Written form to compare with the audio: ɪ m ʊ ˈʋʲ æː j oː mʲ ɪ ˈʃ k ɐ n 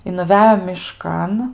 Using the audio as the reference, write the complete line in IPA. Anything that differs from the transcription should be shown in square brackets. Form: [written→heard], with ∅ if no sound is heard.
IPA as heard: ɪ [m→n] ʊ ˈʋʲ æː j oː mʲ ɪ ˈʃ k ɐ n